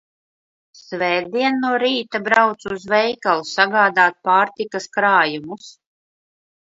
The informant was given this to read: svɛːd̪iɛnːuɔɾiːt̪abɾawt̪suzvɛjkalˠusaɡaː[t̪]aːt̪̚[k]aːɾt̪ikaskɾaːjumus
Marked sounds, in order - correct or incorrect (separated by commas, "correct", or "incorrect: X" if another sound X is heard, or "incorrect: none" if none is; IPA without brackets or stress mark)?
incorrect: d̪, incorrect: p